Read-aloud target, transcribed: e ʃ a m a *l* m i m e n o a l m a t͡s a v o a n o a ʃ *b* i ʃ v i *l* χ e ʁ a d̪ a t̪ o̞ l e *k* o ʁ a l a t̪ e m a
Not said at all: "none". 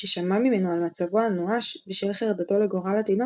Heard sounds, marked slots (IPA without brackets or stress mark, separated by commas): none, b, l, ɡ